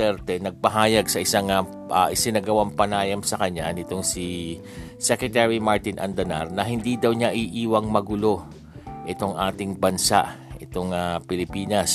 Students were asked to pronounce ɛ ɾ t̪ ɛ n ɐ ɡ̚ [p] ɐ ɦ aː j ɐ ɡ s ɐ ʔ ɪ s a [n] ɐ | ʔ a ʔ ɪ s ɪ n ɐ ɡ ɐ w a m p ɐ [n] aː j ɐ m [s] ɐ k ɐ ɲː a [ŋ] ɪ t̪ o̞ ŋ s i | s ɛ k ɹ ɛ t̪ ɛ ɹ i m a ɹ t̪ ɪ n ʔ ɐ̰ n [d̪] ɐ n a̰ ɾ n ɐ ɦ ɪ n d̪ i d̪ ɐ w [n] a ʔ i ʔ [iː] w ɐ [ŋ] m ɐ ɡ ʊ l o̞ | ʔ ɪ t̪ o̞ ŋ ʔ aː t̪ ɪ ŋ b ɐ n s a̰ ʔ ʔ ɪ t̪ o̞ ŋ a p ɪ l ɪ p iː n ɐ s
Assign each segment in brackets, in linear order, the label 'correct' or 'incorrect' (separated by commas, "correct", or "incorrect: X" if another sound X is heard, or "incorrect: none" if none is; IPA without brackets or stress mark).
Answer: correct, incorrect: ŋ, correct, correct, incorrect: n, correct, incorrect: ɲ, correct, correct